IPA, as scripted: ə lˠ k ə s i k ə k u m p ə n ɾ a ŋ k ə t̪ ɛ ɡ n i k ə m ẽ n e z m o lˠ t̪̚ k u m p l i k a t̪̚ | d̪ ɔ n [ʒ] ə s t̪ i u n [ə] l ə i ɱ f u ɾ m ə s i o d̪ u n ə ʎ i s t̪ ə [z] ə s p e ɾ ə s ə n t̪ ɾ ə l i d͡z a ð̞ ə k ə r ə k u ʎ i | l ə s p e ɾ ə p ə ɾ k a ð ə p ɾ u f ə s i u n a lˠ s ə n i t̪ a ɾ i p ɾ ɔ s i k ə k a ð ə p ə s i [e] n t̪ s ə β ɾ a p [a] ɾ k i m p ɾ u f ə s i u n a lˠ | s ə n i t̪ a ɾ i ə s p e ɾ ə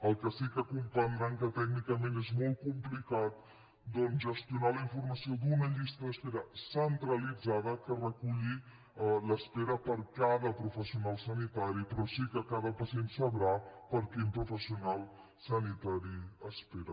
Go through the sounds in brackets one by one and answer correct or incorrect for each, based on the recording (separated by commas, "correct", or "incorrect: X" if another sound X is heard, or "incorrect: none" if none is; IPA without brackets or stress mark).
correct, incorrect: a, incorrect: ð, correct, incorrect: ə